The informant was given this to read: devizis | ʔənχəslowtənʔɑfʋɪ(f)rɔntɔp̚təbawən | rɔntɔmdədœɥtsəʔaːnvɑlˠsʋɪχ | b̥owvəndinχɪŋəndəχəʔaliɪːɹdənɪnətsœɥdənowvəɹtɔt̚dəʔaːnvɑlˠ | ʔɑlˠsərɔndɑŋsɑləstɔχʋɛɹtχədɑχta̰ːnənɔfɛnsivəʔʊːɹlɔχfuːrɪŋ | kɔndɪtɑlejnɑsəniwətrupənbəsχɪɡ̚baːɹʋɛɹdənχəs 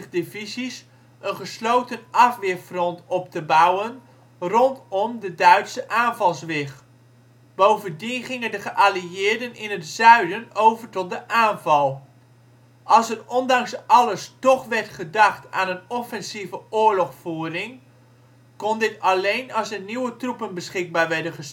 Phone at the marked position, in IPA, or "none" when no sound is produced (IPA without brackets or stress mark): f